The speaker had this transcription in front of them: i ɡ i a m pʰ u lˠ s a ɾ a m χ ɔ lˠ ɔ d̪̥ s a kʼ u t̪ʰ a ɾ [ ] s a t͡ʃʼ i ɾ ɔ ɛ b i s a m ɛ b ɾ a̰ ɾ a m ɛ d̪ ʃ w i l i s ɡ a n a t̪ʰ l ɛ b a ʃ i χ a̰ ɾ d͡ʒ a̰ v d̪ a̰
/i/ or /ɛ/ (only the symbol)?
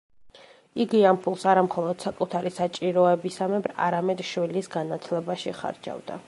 i